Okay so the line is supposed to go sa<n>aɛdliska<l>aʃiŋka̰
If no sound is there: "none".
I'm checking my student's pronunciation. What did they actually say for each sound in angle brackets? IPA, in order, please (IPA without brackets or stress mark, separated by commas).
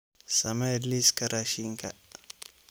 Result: m, ɾ